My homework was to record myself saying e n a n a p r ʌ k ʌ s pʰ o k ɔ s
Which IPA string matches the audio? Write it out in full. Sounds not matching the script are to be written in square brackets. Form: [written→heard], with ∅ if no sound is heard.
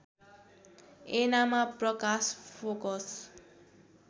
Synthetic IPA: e n a [n→m] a p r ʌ k [ʌ→a] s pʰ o k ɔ s

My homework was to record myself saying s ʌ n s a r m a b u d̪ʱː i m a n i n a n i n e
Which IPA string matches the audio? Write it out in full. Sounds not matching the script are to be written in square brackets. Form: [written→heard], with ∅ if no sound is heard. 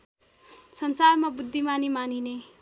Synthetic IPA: s ʌ n s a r m a b u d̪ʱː i m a n i [n→m] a n i n e

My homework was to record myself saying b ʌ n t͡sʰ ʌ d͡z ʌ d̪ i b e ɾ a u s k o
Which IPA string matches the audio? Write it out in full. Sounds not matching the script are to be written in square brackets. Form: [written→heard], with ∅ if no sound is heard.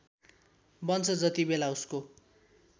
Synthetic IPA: b ʌ n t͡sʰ ʌ d͡z ʌ [d̪→t̪] i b e [ɾ→l] a u s k o

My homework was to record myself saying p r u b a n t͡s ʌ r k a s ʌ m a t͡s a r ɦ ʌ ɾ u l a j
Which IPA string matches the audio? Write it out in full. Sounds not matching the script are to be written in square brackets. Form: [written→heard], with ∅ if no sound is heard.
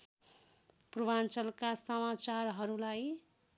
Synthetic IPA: p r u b a n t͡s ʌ [r→l] k a s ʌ m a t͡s a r ɦ ʌ ɾ u l a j

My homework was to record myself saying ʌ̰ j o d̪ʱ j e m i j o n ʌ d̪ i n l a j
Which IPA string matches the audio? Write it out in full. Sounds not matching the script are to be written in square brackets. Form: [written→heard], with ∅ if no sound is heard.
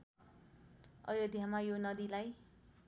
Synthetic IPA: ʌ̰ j o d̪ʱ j [e→a] m [i→a] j o n ʌ d̪ i [n→∅] l a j

